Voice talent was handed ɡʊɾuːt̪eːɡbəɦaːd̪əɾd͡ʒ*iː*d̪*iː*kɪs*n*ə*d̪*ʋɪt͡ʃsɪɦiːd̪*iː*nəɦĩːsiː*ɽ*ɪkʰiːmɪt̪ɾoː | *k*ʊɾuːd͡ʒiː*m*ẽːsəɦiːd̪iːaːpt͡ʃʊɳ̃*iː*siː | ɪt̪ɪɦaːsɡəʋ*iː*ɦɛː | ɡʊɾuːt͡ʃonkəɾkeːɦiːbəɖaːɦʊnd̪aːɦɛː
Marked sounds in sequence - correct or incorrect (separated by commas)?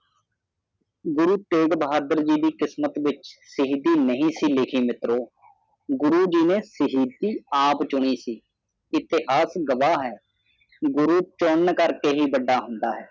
correct, correct, incorrect, incorrect, correct, incorrect, incorrect, incorrect, correct, incorrect